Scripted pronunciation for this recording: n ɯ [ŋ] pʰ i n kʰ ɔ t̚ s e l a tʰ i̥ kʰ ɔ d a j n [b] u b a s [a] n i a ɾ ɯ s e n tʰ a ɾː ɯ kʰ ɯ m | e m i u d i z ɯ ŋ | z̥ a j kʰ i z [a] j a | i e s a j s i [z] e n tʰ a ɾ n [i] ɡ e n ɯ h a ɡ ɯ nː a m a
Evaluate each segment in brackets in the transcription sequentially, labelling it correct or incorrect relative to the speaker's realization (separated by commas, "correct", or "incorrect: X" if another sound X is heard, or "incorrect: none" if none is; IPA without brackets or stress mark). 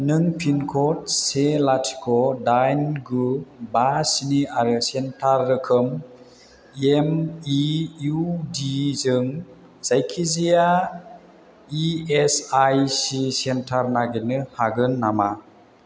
correct, incorrect: ɡ, incorrect: i, incorrect: i, incorrect: s, incorrect: a